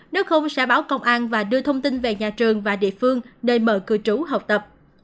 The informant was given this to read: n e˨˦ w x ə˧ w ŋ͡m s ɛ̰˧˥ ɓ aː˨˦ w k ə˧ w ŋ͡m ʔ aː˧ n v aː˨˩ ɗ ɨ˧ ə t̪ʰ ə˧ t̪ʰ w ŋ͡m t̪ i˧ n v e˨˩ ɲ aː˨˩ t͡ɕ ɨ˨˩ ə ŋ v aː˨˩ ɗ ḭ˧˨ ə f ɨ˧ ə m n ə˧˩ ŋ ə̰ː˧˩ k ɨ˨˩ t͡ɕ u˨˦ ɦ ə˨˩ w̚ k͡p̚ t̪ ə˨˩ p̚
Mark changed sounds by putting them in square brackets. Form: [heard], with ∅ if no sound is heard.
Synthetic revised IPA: n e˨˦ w x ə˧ w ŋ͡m s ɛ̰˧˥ ɓ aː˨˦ w k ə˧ w ŋ͡m ʔ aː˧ n v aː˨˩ ɗ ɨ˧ ə t̪ʰ ə˧ [∅] w ŋ͡m t̪ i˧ n v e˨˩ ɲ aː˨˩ t͡ɕ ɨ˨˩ ə ŋ v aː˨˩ ɗ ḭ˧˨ ə f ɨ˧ ə [ŋ] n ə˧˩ [m] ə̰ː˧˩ k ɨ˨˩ t͡ɕ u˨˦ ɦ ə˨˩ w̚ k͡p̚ t̪ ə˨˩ p̚